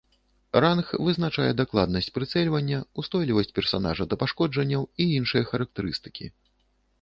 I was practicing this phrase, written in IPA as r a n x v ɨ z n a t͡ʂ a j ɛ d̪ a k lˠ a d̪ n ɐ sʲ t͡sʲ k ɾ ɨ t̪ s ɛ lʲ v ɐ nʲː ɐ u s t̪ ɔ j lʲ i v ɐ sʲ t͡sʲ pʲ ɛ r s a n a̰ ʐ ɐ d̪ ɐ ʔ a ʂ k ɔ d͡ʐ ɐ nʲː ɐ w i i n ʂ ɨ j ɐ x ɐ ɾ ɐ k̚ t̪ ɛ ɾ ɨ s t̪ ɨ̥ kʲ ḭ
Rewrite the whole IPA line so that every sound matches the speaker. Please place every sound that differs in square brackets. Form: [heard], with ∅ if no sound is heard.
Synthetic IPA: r a n x v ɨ z n a t͡ʂ a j ɛ d̪ a k lˠ a d̪ n ɐ sʲ t͡sʲ [p] ɾ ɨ t̪ s ɛ lʲ v ɐ nʲː ɐ u s t̪ ɔ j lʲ i v ɐ sʲ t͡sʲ pʲ ɛ r s a n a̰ ʐ ɐ d̪ ɐ [p] a ʂ k ɔ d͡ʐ ɐ nʲː ɐ w i i n ʂ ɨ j ɐ x ɐ ɾ ɐ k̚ t̪ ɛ ɾ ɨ s t̪ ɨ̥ kʲ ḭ

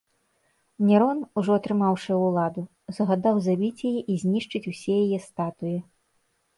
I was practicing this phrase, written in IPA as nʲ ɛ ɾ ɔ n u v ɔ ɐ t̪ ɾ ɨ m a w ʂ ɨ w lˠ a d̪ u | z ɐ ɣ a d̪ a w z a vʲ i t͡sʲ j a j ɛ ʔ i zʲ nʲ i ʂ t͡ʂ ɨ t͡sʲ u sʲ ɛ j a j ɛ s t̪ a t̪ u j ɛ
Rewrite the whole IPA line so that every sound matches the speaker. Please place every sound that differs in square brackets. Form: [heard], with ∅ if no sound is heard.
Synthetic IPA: nʲ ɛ ɾ ɔ n u [ʐ] ɔ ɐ t̪ ɾ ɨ m a w ʂ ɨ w lˠ a d̪ u | z ɐ ɣ a d̪ a w z a [bʲ] i t͡sʲ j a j ɛ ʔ i zʲ nʲ i ʂ t͡ʂ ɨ t͡sʲ u sʲ ɛ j a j ɛ s t̪ a t̪ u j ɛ

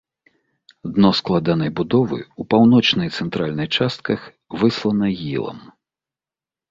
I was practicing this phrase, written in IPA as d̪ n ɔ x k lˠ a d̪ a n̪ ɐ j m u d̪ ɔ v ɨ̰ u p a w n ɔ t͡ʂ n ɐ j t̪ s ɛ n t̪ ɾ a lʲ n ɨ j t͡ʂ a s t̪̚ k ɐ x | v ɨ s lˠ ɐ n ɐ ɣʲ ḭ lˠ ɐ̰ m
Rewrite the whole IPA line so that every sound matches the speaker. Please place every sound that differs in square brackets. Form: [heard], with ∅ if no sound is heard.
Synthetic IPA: d̪ n ɔ [s] k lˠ a d̪ a n̪ ɐ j [b] u d̪ ɔ v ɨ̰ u p a w n ɔ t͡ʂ n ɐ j t̪ s ɛ n t̪ ɾ a lʲ n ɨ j t͡ʂ a s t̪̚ k ɐ x | v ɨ s lˠ ɐ n ɐ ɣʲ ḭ lˠ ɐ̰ m

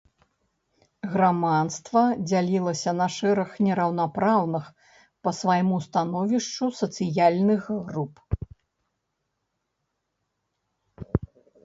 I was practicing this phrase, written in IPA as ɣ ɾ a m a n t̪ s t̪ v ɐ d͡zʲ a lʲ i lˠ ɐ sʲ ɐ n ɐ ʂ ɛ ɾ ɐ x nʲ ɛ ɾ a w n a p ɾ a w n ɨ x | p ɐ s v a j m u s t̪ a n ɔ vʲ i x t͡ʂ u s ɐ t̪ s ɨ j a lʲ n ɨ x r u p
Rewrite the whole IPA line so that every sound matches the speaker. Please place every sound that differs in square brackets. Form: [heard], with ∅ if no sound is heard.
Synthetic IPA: ɣ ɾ a m a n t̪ s t̪ v ɐ d͡zʲ a lʲ i lˠ ɐ sʲ ɐ n ɐ ʂ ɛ ɾ ɐ x nʲ ɛ ɾ [ɐ] w n a p ɾ a w n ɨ x | p ɐ s v a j m u s t̪ a n ɔ vʲ i [ʂ] t͡ʂ u s ɐ t̪ s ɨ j a lʲ n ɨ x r u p

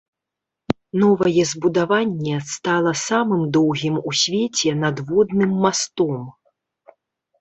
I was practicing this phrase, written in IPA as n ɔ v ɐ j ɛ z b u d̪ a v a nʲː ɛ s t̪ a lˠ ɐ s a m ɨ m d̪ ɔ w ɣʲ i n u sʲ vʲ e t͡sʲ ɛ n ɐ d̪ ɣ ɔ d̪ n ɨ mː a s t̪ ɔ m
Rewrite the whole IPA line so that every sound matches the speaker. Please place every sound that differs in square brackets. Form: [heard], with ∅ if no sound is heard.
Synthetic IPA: n ɔ v ɐ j ɛ z b u d̪ a v a nʲː ɛ s t̪ a lˠ ɐ s a m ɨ m d̪ ɔ w ɣʲ i [m] u sʲ vʲ e t͡sʲ ɛ n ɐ d̪ [v] ɔ d̪ n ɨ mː a s t̪ ɔ m

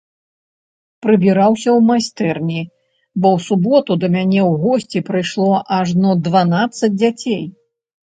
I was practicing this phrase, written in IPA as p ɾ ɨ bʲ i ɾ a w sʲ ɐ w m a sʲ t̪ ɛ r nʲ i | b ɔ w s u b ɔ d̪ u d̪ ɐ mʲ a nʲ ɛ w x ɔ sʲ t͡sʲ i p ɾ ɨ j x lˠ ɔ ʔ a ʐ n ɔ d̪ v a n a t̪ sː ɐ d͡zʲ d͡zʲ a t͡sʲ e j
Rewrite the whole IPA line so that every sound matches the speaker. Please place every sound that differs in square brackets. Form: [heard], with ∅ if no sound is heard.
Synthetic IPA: p ɾ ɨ bʲ i ɾ a w sʲ ɐ w m a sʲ t̪ ɛ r nʲ i | b ɔ w s u b ɔ [t̪] u d̪ ɐ mʲ a nʲ ɛ w [ɣ] ɔ sʲ t͡sʲ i p ɾ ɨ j [ʂ] lˠ ɔ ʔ a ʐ n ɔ d̪ v a n a t̪ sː ɐ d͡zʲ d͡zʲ a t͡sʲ e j

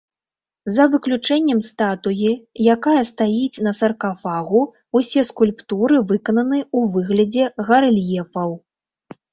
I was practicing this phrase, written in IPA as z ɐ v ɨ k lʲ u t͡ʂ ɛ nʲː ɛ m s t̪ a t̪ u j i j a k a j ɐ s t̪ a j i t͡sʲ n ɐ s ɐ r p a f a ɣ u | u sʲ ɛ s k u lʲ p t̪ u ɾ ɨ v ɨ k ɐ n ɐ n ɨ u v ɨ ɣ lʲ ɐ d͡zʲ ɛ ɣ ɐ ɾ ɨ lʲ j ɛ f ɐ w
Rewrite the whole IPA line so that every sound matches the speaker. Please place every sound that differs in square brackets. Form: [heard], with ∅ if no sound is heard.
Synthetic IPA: z ɐ v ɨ k lʲ u t͡ʂ ɛ nʲː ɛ m s t̪ a t̪ u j i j a k a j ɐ s t̪ a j i t͡sʲ n ɐ s ɐ r [k] a f a ɣ u | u sʲ ɛ s k u lʲ p t̪ u ɾ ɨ v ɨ k ɐ n ɐ n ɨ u v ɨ ɣ lʲ ɐ d͡zʲ ɛ ɣ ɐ ɾ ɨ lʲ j ɛ f ɐ w

